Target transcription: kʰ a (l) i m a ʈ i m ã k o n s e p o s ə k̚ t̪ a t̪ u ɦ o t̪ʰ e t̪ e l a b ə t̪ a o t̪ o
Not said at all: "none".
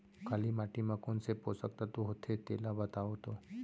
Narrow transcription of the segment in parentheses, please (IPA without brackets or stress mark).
l